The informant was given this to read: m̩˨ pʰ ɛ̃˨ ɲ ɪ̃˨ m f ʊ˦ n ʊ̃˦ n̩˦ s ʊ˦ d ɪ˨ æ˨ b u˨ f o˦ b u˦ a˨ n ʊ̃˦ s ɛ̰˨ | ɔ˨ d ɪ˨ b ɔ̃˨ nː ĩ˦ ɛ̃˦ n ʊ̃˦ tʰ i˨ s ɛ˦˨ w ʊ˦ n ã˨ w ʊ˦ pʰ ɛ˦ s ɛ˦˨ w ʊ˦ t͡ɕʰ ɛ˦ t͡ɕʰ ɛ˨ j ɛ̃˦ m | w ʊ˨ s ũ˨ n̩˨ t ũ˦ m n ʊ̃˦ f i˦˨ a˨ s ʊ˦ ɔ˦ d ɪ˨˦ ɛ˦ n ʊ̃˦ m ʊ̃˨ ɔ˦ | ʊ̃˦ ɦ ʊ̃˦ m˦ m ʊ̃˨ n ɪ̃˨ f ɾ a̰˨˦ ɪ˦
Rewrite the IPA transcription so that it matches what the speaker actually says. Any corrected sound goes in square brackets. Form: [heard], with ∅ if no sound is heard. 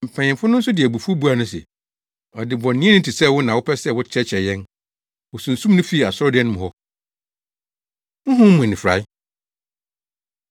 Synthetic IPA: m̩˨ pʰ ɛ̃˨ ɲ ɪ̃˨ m f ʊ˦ n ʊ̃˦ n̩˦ s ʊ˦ d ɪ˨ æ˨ b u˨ f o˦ b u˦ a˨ n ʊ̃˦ s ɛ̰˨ | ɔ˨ d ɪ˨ b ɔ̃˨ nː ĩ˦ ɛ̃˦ n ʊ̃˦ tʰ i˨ s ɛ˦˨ w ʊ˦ n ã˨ w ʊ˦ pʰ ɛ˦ s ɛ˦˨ w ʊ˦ t͡ɕʰ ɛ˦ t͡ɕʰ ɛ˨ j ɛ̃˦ [n] | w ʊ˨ s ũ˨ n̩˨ [s] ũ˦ m n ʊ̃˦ f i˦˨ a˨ s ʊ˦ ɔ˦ d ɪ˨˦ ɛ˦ n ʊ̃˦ m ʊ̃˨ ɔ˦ | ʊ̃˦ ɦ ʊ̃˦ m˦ m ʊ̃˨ n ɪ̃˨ f ɾ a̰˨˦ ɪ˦